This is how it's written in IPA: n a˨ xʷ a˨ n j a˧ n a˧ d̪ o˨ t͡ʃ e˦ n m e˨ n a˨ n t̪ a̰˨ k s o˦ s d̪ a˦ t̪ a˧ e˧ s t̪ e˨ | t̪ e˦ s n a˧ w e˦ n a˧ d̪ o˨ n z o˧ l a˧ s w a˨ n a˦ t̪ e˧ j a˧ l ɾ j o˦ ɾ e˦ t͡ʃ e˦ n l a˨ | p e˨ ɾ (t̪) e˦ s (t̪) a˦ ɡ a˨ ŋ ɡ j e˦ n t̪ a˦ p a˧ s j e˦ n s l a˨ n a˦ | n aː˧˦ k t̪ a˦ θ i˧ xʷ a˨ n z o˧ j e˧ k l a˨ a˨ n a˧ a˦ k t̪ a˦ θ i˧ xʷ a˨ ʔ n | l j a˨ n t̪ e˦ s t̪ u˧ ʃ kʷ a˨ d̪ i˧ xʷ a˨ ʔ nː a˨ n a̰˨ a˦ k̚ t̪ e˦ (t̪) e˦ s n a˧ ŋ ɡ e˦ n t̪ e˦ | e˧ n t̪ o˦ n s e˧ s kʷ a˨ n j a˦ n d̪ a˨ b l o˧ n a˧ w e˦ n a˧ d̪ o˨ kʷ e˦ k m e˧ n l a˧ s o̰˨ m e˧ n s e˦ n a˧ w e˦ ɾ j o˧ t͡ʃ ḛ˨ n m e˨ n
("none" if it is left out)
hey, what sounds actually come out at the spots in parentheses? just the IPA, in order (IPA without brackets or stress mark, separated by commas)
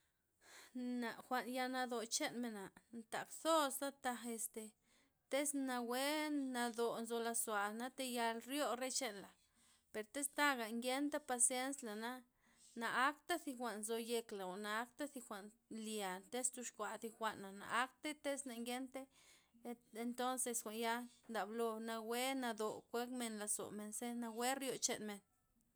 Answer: t̪, t̪, t̪